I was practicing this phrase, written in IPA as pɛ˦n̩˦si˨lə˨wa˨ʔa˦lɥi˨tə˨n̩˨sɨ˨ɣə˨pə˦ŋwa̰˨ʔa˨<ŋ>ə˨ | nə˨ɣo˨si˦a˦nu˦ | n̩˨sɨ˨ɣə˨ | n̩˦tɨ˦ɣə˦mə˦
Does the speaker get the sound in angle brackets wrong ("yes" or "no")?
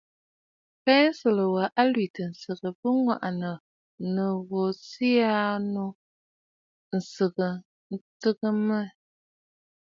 yes